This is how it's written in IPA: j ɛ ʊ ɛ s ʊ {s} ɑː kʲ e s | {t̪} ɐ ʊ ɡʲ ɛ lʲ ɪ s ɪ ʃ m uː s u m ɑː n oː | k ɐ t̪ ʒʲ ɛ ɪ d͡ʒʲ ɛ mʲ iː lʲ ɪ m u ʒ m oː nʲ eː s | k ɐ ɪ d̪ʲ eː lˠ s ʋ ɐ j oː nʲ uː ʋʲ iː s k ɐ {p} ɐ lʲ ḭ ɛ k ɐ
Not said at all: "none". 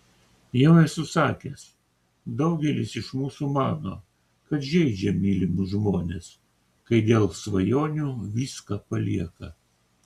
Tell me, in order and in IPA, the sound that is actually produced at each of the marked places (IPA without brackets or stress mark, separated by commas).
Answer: s, d̪, p